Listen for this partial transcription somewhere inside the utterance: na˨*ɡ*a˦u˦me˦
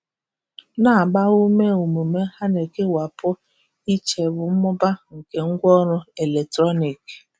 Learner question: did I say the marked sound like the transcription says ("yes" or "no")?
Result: no